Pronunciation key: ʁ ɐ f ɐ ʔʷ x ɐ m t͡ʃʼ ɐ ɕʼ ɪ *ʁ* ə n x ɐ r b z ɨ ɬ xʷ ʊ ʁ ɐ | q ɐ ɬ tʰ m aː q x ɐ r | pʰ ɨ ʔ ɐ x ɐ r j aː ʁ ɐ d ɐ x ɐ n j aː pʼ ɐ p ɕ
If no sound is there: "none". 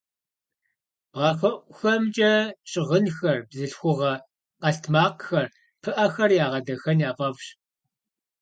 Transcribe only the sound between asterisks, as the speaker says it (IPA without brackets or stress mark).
ʁ